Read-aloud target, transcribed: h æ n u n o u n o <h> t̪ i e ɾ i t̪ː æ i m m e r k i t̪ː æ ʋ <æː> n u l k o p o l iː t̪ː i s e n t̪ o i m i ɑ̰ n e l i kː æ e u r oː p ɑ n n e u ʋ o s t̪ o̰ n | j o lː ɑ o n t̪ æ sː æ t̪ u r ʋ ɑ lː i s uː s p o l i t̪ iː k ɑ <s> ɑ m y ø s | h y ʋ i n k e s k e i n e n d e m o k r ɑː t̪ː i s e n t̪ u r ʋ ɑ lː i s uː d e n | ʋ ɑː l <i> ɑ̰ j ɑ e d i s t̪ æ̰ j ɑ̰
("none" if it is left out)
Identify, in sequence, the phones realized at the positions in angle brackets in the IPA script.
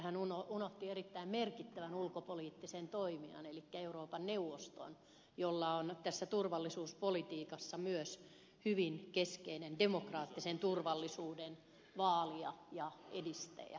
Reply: h, æ, sː, i

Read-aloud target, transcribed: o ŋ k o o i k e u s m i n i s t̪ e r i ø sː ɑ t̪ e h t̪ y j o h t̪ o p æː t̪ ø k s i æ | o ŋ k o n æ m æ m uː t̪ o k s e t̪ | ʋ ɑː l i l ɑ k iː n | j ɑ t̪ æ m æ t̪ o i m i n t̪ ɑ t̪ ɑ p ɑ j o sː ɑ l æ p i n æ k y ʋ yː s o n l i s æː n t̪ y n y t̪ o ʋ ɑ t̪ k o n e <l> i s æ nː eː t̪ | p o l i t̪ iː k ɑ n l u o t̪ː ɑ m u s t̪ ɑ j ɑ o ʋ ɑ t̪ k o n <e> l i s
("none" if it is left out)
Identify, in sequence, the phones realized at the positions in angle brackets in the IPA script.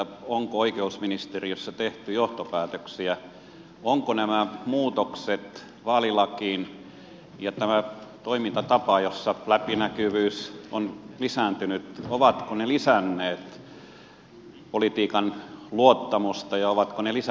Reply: l, e

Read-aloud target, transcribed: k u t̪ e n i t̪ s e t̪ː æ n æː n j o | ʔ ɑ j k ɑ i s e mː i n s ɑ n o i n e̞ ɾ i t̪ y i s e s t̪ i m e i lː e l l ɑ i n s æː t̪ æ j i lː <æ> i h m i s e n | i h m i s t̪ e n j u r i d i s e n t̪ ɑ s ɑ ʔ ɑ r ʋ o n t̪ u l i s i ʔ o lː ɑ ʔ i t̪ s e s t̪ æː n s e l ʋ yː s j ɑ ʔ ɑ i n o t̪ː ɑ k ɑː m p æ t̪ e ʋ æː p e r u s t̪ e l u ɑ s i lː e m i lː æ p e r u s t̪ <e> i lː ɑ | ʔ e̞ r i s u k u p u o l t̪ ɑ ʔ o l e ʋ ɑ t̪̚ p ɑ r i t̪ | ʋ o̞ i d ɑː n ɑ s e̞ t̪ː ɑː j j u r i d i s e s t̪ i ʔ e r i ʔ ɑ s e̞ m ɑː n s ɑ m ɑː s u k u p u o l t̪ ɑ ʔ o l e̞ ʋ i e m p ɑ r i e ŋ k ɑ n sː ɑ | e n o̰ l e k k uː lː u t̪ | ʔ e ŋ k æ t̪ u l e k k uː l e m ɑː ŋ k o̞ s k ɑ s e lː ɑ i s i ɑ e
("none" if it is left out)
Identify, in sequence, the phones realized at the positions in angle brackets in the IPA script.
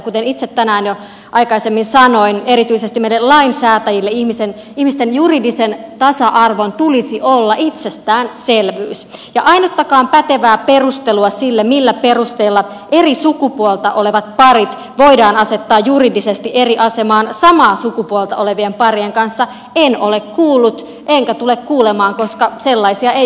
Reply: e, e

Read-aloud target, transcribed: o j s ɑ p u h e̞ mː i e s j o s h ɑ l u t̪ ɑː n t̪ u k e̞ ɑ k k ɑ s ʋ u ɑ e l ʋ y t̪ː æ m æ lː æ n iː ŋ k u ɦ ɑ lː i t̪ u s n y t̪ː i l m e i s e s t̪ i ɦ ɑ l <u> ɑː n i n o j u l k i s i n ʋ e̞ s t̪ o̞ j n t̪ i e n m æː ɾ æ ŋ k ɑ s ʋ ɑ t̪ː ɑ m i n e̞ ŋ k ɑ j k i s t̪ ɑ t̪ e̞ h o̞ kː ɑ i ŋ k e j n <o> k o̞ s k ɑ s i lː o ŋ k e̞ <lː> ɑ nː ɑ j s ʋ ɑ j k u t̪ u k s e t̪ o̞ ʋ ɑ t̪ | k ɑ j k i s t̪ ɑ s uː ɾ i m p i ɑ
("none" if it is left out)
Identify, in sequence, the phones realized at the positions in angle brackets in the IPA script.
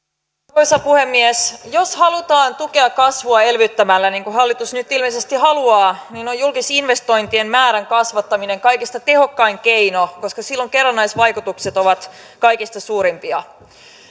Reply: u, o, rː

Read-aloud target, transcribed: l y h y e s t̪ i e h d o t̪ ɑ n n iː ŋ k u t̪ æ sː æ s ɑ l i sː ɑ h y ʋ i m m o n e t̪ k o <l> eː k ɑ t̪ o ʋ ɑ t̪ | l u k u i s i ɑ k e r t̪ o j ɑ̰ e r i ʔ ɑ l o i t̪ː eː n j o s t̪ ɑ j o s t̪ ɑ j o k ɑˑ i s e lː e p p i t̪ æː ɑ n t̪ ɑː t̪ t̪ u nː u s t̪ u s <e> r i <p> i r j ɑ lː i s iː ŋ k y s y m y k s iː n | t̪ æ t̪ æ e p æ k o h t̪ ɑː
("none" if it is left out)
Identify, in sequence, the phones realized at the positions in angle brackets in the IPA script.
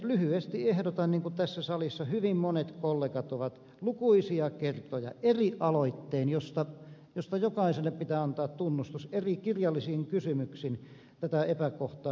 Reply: lː, e, k

